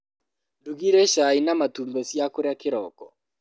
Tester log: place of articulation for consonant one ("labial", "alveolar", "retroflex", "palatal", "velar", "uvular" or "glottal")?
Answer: alveolar